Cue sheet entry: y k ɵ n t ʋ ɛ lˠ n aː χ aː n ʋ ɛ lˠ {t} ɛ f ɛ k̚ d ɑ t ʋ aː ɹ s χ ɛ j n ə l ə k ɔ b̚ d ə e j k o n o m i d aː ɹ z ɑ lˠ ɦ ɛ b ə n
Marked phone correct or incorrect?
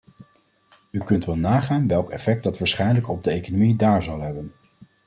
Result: incorrect